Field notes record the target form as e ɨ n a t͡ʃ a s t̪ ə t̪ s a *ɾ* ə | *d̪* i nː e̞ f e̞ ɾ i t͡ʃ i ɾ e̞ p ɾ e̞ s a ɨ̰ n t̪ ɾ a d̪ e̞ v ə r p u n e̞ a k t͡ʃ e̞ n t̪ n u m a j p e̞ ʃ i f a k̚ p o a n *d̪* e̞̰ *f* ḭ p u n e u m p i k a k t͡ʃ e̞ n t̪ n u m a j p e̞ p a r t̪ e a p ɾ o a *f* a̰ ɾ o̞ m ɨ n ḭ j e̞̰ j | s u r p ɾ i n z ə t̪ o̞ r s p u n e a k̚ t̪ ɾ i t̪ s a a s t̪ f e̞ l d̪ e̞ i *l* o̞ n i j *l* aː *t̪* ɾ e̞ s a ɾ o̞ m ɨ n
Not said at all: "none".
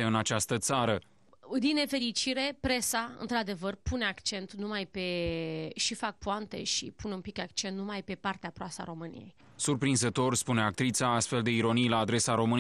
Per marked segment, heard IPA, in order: ɾ, d̪, t̪, ʃ, s, ɾ, l, d̪

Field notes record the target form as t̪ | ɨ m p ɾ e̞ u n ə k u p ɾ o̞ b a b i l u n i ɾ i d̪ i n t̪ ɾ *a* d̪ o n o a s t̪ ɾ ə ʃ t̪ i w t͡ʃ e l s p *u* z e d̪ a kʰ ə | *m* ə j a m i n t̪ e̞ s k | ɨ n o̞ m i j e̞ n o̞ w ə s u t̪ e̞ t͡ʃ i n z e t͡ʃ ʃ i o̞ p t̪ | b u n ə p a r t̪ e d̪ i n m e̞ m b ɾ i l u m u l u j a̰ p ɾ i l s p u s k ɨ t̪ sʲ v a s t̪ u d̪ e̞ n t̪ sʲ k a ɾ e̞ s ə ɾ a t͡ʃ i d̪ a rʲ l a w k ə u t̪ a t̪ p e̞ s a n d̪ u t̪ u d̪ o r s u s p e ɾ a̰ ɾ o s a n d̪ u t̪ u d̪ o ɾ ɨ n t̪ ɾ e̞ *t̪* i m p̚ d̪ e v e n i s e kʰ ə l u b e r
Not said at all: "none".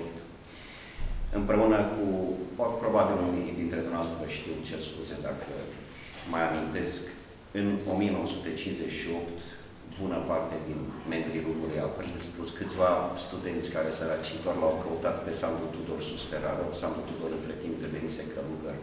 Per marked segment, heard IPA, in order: e, u, m, t̪

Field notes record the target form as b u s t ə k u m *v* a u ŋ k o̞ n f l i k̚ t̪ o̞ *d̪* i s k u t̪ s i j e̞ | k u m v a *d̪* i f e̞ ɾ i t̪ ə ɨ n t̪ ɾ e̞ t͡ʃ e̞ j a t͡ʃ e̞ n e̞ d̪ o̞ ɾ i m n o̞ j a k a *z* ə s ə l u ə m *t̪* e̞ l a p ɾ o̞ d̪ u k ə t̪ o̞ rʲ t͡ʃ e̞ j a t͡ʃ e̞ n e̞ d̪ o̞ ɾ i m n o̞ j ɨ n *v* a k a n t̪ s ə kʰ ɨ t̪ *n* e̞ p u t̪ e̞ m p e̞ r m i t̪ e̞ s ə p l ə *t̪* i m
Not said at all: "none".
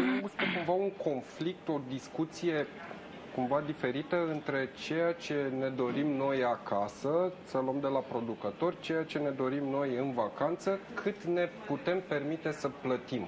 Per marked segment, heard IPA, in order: v, d̪, d̪, s, d̪, v, n, t̪

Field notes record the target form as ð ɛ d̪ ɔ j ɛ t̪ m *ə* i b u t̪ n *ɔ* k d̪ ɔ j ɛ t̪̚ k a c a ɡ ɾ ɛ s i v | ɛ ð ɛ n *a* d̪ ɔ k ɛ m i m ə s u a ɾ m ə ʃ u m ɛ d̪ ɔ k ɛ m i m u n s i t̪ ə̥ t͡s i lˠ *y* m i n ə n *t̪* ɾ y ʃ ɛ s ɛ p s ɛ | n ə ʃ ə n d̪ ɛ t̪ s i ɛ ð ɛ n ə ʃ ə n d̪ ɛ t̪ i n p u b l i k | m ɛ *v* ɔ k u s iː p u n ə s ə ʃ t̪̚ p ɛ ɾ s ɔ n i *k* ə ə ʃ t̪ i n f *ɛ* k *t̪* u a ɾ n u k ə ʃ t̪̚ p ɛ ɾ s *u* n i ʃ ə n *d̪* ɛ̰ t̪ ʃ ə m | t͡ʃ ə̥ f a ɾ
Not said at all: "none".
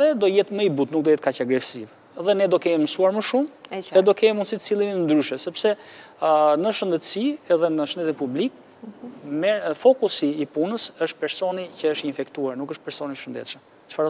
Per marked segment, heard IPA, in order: ə, u, ɛ, i, d̪, f, c, ɛ, t̪, ɔ, d̪

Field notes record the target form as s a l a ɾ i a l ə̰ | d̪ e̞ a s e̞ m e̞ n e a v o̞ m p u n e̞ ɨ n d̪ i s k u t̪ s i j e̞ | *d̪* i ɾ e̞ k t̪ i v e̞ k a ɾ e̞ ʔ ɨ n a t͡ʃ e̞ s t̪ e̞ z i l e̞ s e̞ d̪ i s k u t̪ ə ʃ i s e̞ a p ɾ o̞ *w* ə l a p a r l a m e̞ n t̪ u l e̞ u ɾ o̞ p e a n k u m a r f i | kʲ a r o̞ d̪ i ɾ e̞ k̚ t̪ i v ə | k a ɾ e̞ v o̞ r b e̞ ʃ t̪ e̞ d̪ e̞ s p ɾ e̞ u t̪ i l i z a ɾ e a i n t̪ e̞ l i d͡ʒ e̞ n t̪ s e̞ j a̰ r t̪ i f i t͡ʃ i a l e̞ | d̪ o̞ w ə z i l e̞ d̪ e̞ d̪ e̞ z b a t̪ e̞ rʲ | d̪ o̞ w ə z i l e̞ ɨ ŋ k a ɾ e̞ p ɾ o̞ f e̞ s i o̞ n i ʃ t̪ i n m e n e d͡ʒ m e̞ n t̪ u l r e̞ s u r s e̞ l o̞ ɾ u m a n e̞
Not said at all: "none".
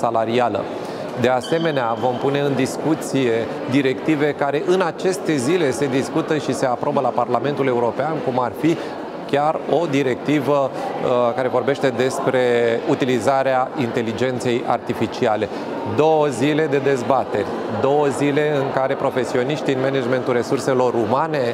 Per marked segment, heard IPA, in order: d̪, b

